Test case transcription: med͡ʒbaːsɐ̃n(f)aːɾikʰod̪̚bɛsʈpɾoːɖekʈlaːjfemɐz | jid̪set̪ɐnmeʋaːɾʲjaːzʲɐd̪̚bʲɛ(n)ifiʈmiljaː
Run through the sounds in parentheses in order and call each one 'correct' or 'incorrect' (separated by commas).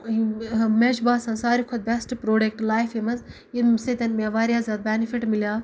incorrect, correct